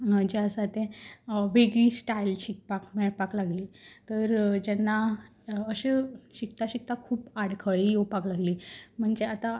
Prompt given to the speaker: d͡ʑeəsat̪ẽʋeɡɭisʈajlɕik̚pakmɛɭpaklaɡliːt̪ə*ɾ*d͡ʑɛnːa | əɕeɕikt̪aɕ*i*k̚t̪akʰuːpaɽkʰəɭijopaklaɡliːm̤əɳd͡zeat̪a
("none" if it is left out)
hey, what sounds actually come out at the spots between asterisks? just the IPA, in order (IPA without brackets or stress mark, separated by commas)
ɾ, i